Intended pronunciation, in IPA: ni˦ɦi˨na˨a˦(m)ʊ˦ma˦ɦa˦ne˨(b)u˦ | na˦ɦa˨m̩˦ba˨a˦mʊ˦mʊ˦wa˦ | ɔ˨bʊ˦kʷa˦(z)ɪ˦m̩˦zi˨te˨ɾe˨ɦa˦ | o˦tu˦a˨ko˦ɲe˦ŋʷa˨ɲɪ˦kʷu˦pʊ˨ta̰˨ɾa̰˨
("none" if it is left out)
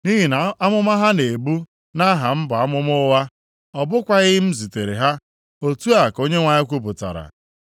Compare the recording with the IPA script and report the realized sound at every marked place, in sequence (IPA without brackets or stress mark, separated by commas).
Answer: m, b, ɣ